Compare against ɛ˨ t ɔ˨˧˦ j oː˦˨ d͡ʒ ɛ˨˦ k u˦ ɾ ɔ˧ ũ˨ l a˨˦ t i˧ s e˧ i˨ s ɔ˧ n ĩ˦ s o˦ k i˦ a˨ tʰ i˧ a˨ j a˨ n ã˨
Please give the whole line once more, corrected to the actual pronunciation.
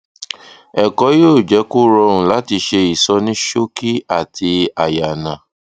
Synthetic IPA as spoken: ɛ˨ k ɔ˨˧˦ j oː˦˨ d͡ʒ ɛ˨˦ k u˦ ɾ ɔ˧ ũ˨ l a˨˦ t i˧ ʃ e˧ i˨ s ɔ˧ n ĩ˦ ʃ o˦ k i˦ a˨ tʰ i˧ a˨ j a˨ n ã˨

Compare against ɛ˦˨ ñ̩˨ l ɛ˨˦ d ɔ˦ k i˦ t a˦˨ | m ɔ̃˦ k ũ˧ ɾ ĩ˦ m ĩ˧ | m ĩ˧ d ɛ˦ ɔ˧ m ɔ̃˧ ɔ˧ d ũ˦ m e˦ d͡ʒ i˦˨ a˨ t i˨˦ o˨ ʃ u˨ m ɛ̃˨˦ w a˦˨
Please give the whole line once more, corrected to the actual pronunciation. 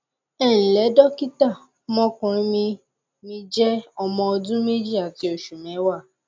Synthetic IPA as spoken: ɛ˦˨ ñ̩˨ l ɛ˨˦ d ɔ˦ k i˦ t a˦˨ | m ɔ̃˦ k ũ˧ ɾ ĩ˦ m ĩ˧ | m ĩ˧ d͡ʒ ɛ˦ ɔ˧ m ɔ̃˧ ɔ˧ d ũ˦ m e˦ d͡ʒ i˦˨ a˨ t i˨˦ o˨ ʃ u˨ m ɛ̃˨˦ w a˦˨

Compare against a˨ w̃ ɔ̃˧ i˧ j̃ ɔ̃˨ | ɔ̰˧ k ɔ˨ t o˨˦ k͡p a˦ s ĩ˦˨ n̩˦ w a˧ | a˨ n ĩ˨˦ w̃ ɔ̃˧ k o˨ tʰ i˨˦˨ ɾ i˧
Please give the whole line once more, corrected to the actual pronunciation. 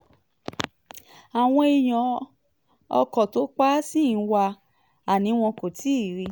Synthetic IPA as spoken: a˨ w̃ ɔ̃˧ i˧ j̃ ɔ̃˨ | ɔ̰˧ k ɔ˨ t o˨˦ k͡p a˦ s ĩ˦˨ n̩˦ w a˧ | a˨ n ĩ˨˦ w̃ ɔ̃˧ k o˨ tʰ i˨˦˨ ɾ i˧

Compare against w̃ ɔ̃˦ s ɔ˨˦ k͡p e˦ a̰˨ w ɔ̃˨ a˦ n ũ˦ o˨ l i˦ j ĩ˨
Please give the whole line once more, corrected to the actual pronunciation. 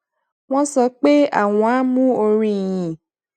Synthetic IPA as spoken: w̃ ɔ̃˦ s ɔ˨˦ k͡p e˦ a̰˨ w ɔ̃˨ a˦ m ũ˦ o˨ ɾ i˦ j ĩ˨

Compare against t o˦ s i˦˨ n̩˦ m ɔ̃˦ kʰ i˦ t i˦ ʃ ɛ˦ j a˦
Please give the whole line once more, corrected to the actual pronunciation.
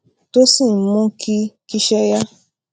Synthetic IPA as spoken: t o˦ s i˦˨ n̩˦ m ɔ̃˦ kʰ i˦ k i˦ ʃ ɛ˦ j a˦

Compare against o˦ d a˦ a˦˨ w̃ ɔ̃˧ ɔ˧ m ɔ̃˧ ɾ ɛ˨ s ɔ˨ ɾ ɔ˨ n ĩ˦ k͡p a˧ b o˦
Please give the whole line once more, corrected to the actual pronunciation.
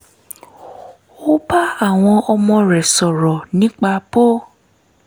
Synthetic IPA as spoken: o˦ b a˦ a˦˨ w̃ ɔ̃˧ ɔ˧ m ɔ̃˧ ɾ ɛ˨ s ɔ˨ ɾ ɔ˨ n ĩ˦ k͡p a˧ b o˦

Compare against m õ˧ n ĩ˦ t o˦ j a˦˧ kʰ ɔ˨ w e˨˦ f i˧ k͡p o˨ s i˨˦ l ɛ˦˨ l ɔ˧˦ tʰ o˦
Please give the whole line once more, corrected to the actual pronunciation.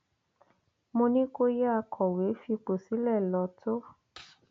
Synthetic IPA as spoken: m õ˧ n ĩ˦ k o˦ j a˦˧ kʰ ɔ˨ w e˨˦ f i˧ k͡p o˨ s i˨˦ l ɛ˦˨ l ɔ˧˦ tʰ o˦

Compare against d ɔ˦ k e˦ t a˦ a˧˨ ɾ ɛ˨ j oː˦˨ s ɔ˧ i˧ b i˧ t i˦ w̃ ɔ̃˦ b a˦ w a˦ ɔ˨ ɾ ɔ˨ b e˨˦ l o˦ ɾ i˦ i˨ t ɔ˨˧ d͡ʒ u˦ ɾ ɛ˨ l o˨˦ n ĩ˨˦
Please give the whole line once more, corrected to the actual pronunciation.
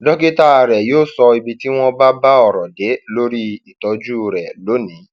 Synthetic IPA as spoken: d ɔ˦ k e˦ t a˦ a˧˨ ɾ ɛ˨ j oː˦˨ s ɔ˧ i˧ b i˧ t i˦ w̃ ɔ̃˦ b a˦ b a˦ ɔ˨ ɾ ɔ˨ d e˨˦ l o˦ ɾ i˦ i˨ t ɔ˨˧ d͡ʒ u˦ ɾ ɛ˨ l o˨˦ n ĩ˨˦

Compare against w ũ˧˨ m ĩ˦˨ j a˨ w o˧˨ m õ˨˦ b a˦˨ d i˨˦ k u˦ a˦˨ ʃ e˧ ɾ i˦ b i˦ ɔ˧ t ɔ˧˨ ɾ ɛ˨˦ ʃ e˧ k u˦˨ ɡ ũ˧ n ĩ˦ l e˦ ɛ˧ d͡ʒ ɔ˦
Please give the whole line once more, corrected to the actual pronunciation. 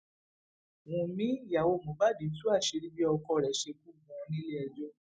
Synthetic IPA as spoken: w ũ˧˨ m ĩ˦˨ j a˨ w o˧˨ m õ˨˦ b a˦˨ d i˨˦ t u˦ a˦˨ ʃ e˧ ɾ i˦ b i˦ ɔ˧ k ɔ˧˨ ɾ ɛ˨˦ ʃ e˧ k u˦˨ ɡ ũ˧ n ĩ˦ l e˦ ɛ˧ d͡ʒ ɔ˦

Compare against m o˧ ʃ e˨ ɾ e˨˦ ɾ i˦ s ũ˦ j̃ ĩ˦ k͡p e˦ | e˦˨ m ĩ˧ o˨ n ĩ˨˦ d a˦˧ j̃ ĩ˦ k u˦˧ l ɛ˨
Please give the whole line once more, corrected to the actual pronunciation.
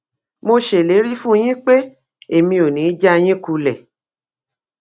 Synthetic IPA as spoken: m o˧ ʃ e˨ l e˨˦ ɾ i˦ f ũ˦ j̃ ĩ˦ k͡p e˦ | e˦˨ m ĩ˧ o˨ n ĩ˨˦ d͡ʒ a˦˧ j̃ ĩ˦ k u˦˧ l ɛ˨

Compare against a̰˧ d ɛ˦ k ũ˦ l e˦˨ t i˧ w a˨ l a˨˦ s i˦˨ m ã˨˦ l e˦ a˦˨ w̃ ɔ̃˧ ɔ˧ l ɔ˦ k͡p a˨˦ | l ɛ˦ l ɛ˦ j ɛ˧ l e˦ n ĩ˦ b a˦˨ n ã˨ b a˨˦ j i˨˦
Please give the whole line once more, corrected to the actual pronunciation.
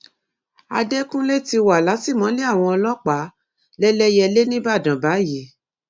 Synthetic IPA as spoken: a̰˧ d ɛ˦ k ũ˦ l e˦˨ t i˧ w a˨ l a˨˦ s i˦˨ m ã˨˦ l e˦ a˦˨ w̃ ɔ̃˧ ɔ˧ l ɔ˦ k͡p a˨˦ | l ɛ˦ l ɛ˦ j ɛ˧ l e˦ n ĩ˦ b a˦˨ d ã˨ b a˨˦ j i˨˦

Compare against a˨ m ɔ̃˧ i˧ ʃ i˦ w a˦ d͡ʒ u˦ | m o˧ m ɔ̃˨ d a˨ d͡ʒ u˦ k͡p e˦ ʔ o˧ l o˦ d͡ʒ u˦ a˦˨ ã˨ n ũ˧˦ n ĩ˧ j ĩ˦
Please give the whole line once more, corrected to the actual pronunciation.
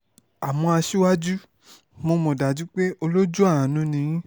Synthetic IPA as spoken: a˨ m ɔ̃˧ a˧ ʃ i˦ w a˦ d͡ʒ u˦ | m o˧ m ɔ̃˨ d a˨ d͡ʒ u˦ k͡p e˦ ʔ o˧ l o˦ d͡ʒ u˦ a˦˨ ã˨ n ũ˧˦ n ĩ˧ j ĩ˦

